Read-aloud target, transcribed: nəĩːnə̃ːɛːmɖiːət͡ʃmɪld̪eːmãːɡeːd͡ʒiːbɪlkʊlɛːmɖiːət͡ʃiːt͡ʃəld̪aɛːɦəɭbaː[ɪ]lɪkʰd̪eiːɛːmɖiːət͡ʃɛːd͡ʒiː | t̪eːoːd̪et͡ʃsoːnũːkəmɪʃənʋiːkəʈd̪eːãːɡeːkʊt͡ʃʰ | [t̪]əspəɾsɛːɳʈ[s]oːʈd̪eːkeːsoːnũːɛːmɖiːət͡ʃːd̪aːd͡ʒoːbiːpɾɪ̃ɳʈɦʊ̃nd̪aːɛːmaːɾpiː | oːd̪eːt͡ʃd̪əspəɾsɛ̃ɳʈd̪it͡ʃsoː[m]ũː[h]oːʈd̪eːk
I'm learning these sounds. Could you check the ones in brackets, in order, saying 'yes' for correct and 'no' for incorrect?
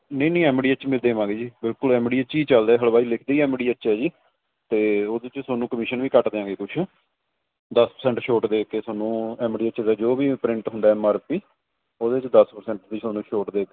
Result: no, no, no, no, no

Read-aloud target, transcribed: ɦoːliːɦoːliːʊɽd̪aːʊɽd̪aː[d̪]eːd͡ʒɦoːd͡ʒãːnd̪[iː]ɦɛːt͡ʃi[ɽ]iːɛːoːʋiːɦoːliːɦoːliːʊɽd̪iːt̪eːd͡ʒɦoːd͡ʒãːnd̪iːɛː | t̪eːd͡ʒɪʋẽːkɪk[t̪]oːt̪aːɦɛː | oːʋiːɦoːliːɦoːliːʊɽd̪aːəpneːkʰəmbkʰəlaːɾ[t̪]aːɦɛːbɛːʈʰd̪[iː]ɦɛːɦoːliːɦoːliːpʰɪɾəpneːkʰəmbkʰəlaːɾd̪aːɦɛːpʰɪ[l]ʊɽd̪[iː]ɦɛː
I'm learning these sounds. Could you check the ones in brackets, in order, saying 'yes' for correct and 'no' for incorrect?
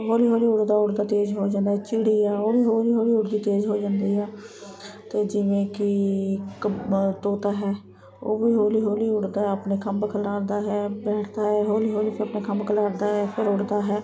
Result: no, no, yes, yes, no, no, no, no

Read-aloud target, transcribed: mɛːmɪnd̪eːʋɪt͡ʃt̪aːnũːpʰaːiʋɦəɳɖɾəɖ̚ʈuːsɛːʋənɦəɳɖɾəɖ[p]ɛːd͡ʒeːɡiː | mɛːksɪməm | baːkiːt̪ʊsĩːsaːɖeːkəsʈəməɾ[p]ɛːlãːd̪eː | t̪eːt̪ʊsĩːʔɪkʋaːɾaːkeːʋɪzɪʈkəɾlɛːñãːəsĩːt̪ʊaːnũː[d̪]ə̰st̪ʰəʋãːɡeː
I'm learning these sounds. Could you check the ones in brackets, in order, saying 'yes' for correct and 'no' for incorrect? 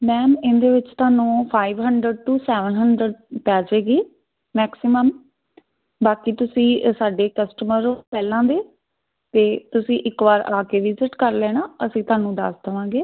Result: yes, yes, yes

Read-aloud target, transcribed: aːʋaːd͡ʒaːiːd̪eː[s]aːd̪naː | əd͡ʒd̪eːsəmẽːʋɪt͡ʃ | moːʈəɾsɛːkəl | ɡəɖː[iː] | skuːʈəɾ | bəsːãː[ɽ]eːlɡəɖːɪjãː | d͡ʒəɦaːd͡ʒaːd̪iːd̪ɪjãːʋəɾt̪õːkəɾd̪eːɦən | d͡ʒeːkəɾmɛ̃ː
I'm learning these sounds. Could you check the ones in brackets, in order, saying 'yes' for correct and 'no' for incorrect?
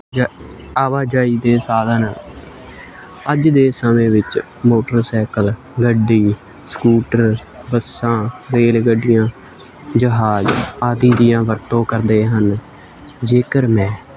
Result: yes, yes, no

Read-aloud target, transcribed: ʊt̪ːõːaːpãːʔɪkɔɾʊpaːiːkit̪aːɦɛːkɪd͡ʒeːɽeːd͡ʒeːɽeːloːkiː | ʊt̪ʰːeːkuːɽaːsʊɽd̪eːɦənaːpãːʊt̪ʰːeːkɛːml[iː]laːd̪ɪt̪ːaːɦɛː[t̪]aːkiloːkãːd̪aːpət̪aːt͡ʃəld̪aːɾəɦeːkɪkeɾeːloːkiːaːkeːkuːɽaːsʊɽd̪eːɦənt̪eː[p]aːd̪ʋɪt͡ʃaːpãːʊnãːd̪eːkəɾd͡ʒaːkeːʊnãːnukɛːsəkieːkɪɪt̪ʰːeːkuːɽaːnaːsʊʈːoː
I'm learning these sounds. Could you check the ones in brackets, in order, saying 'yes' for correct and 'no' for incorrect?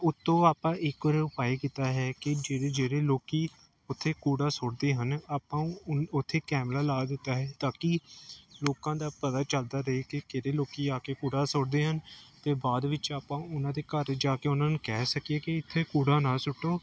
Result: no, yes, no

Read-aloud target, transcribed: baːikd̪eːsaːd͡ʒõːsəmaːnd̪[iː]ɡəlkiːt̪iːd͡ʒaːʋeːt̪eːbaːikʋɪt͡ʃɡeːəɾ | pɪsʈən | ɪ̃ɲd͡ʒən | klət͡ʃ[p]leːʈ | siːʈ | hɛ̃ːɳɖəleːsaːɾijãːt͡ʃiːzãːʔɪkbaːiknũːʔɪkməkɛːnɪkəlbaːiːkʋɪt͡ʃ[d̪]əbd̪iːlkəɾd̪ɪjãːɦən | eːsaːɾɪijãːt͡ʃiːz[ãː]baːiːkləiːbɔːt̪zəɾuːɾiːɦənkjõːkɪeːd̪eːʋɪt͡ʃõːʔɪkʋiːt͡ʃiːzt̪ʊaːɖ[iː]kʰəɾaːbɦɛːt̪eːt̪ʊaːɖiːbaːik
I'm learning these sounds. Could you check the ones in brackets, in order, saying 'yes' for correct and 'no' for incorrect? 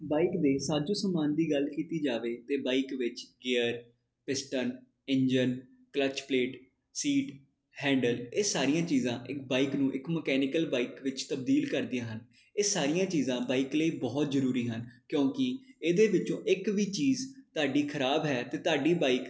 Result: yes, yes, no, yes, yes

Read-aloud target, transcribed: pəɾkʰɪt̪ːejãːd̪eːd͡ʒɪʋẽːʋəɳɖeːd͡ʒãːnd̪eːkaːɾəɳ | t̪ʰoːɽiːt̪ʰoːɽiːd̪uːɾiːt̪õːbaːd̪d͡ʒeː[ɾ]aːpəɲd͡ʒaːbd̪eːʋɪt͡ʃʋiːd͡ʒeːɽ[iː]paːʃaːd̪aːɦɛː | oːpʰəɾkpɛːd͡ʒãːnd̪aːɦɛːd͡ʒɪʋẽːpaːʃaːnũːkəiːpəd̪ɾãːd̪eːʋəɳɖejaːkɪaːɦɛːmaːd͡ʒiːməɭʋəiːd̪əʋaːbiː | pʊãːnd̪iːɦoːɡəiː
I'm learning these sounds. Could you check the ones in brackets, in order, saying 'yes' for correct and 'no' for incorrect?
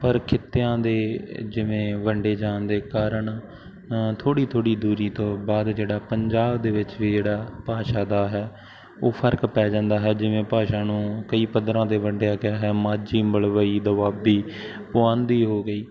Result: no, no

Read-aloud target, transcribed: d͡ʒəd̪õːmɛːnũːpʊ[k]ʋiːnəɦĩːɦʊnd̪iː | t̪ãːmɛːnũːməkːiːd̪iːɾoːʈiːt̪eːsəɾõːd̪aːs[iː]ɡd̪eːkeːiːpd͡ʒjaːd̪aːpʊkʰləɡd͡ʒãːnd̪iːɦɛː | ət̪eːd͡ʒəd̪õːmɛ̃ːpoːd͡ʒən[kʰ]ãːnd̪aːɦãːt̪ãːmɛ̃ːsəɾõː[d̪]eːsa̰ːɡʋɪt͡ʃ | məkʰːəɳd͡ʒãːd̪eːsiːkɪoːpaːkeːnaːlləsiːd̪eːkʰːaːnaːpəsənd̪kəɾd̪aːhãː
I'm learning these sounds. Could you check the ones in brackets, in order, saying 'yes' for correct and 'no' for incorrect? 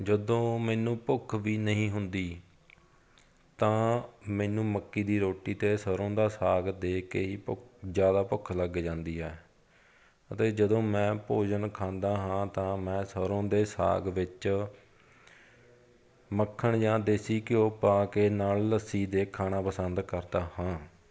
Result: no, no, yes, yes

